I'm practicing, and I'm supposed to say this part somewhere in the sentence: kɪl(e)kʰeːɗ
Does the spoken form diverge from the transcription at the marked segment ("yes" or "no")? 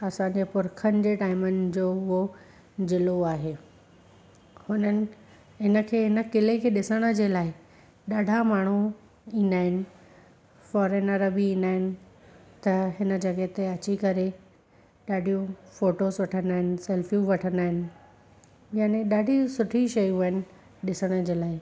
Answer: no